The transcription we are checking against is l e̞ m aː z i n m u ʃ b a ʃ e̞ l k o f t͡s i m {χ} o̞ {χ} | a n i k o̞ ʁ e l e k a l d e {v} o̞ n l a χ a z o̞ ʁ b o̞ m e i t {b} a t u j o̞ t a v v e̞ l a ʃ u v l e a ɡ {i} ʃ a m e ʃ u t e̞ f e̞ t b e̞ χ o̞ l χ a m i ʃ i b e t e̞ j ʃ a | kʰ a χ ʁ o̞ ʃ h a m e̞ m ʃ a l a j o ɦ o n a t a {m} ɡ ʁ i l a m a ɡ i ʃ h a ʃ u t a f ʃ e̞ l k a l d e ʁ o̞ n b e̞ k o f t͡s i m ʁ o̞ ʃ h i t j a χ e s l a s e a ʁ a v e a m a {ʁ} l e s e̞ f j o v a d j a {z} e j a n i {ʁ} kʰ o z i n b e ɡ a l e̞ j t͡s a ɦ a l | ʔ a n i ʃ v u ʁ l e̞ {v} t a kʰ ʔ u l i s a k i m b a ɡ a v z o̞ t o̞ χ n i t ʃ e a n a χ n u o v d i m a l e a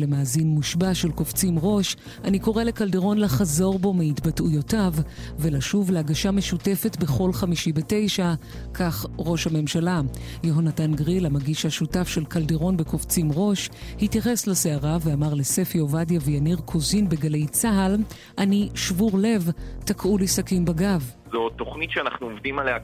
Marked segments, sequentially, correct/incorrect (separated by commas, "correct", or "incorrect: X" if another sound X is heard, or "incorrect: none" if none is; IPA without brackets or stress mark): incorrect: ʁ, incorrect: ʃ, incorrect: ʁ, correct, incorrect: a, incorrect: n, correct, incorrect: v, correct, correct